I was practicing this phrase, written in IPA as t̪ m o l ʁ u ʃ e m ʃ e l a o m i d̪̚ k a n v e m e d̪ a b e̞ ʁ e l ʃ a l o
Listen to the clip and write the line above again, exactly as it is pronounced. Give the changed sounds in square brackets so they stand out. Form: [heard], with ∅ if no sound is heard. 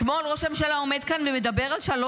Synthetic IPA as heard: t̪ m o l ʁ [o] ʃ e m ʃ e l a o m [e] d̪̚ k a n v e m e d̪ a b e̞ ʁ [a] l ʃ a l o